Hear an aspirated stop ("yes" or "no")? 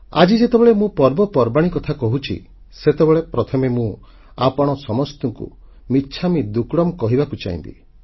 yes